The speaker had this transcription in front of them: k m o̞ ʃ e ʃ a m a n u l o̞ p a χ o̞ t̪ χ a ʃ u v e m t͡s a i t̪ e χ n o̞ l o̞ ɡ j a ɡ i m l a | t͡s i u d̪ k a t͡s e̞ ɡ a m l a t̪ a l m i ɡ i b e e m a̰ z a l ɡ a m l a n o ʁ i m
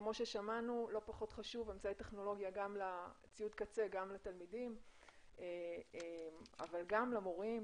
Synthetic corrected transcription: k m o̞ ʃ e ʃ a m a n u l o̞ p a χ o̞ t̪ χ a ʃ u v e m t͡s a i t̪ e χ n o̞ l o̞ ɡ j a ɡ a m l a | t͡s i u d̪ k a t͡s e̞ ɡ a m l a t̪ a l m i d i m e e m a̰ v a l ɡ a m l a m o ʁ i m